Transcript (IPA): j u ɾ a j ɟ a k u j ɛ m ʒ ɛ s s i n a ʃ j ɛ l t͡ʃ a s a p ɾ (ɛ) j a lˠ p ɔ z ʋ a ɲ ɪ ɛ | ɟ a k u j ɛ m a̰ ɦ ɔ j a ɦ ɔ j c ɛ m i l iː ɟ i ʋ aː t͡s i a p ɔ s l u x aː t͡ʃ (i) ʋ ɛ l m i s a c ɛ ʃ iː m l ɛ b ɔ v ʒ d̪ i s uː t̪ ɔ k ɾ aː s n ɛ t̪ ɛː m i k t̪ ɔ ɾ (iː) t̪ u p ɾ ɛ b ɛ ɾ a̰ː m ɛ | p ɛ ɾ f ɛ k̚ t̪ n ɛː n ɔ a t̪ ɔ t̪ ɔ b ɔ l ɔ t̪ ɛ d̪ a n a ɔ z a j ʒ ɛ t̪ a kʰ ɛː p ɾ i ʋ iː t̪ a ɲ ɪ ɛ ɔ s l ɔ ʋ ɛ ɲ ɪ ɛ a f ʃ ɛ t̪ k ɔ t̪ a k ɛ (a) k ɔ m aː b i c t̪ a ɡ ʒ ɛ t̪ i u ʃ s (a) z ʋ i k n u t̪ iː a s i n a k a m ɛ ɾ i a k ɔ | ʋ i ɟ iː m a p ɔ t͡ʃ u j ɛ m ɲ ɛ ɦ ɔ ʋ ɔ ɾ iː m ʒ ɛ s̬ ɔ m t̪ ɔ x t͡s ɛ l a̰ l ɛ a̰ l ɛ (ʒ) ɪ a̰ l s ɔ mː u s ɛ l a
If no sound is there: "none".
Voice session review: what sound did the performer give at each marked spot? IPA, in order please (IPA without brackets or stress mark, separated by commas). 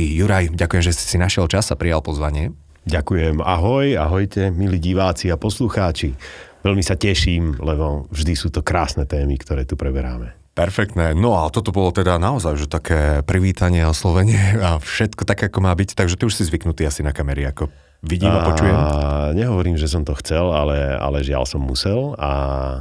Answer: i, i, ɛː, a, i, ʒ